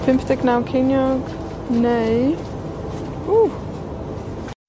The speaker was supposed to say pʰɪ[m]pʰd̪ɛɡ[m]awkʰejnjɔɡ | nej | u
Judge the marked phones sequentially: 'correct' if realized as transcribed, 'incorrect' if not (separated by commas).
correct, incorrect